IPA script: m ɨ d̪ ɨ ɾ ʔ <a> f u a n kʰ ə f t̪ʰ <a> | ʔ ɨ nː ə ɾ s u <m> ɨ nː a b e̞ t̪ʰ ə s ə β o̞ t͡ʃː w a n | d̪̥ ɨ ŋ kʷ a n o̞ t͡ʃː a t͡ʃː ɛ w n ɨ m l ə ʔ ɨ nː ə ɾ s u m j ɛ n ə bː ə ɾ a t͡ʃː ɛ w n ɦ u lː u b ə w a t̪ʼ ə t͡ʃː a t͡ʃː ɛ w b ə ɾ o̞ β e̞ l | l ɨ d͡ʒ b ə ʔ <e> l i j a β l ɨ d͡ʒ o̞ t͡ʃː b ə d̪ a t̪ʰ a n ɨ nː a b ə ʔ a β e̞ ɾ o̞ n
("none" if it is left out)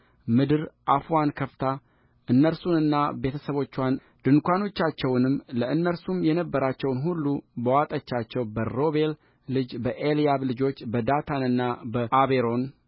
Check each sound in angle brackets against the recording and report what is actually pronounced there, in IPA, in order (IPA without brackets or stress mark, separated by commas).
a, a, n, e